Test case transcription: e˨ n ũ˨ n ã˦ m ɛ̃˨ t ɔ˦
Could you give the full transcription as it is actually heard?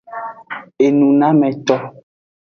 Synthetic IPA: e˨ n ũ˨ n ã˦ m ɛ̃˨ t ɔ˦